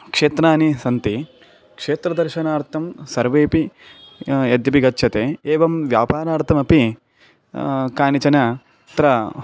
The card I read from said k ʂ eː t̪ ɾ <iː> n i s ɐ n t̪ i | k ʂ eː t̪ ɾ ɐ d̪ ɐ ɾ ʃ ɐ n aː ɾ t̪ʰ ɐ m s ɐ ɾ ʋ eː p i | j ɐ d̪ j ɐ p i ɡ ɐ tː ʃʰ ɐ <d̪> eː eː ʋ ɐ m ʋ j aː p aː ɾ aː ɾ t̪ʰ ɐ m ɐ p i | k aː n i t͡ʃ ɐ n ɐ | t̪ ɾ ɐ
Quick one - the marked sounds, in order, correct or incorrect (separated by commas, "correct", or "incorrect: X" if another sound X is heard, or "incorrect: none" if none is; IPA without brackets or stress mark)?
incorrect: aː, incorrect: t̪